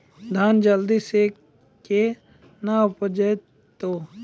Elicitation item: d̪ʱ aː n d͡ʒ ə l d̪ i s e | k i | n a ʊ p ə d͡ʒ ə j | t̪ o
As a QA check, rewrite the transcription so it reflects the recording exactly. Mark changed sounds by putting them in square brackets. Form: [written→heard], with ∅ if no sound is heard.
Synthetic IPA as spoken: d̪ʱ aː n d͡ʒ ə l d̪ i s e | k [i→e] | n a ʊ p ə d͡ʒ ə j | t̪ o